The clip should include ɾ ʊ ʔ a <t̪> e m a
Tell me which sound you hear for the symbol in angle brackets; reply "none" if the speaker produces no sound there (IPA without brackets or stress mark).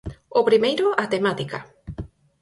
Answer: t̪